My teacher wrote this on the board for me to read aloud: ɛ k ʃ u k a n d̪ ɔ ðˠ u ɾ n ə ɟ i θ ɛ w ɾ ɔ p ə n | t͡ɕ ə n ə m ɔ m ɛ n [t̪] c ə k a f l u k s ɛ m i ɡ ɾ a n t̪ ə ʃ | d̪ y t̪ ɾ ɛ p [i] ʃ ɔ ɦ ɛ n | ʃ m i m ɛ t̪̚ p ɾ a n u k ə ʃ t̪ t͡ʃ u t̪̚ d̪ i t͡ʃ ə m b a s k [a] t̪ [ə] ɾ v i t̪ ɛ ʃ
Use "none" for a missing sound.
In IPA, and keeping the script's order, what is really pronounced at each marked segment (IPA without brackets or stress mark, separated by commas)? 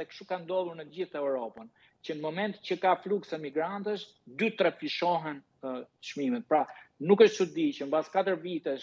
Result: t̪, i, a, ə